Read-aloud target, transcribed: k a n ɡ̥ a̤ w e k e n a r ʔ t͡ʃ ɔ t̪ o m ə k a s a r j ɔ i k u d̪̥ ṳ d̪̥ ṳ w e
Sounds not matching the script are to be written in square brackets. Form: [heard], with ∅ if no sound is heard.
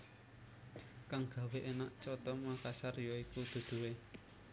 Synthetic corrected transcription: k a [ŋ] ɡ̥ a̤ w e [ʔ] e n a [∅] ʔ t͡ʃ ɔ t̪ [ɔ] m [a] k a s a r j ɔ i k u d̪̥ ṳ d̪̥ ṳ w e